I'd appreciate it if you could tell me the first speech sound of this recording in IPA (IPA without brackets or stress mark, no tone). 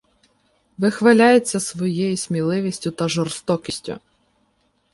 ʋ